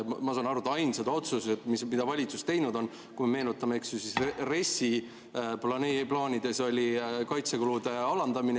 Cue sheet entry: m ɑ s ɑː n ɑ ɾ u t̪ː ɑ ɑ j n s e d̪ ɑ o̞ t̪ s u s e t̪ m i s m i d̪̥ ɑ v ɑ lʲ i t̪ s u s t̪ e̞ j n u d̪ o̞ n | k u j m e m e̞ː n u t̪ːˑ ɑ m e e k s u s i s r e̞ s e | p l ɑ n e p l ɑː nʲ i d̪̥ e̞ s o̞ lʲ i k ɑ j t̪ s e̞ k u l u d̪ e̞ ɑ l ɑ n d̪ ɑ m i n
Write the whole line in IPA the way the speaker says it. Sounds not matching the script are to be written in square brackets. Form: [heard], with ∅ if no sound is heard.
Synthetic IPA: m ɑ s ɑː n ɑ ɾ u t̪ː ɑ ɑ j n s e d̪ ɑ o̞ t̪ s u s e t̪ m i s m i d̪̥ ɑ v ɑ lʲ i t̪ s u s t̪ e̞ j n u d̪ o̞ n | k u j m e m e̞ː n u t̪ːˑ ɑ m e e k s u s i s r e̞ s [i] | p l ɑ n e p l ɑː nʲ i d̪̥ e̞ s o̞ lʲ i k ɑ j t̪ s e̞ k u l u d̪ e̞ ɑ l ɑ n d̪ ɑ m i n

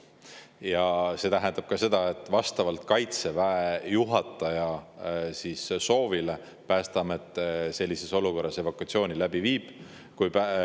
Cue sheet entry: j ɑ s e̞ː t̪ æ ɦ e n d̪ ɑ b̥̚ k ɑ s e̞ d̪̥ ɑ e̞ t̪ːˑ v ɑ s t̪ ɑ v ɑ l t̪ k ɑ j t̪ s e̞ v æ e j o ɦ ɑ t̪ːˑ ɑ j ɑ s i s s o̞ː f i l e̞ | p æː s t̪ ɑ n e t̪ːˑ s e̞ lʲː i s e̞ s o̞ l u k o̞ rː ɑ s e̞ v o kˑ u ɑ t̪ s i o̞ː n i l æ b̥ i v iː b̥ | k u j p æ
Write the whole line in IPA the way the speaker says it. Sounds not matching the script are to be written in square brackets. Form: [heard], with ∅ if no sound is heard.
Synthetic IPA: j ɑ s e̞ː t̪ æ ɦ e n d̪ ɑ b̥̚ k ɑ s e̞ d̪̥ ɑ e̞ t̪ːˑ v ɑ s t̪ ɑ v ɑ l t̪ k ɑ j t̪ s e̞ v æ e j [u] ɦ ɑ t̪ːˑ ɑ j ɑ s i s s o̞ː [v] i l e̞ | p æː s t̪ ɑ [m] e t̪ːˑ s e̞ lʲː i s e̞ s o̞ l u k o̞ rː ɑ s e̞ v o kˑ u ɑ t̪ s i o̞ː n i l æ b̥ i v iː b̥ | k u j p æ

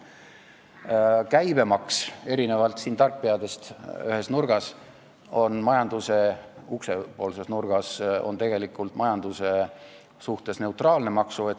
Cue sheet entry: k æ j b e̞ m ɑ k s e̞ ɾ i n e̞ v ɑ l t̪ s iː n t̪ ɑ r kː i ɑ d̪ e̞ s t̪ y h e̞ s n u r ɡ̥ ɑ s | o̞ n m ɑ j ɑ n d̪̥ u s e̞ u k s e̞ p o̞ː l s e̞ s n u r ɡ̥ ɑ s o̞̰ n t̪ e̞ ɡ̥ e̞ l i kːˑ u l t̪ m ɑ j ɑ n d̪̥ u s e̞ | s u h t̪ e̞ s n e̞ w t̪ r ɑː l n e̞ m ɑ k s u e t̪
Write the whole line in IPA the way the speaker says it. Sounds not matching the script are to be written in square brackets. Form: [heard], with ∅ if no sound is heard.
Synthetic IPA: k æ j b e̞ m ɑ k s e̞ ɾ i n e̞ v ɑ l t̪ s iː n t̪ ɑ r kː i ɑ d̪ e̞ s t̪ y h e̞ s n u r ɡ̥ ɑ s | o̞ n m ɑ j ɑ n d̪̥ u s e̞ u k s e̞ p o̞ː l s e̞ s n u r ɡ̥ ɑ s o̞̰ n t̪ e̞ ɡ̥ e̞ l i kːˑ u l t̪ m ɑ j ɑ n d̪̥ u s e̞ | s u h t̪ e̞ s n e̞ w t̪ r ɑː l n e̞ m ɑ k s u e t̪

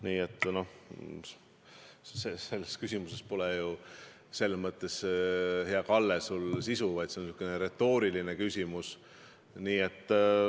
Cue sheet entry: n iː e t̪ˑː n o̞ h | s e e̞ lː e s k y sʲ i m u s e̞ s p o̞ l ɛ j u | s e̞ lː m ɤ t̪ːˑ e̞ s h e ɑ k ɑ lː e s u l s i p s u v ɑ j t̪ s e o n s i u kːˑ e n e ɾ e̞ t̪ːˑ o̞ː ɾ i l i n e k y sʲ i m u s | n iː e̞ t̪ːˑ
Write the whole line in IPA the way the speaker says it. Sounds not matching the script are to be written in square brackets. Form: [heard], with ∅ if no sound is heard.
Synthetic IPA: n iː e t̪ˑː n o̞ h | s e e̞ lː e s k y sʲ i m u s e̞ s p o̞ l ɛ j u | s e̞ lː m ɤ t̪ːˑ e̞ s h e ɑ k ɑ lː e s u l s i [∅] s u v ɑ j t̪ s e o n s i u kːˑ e n e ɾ e̞ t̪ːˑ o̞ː ɾ i l i n e k y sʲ i m u s | n iː e̞ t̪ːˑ

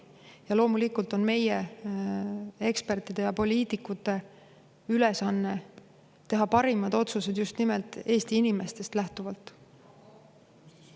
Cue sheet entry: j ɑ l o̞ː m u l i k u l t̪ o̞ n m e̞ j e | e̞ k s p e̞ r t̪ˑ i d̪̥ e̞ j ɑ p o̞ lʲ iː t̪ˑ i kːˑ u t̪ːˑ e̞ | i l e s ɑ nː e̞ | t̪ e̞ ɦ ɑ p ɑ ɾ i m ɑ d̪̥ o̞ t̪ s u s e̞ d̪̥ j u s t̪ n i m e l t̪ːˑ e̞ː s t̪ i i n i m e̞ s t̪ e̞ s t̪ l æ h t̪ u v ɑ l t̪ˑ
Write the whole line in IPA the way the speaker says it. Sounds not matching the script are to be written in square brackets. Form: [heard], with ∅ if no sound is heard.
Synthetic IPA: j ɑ l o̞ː m u l i k u l t̪ o̞ n m e̞ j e | e̞ k s p e̞ r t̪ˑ i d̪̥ e̞ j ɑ p o̞ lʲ iː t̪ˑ i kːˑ u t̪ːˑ e̞ | [y] l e s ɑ nː e̞ | t̪ e̞ ɦ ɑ p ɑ ɾ i m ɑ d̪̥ o̞ t̪ s u s e̞ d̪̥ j u s t̪ n i m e l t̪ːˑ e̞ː s t̪ i i n i m e̞ s t̪ e̞ s t̪ l æ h t̪ u v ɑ l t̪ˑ

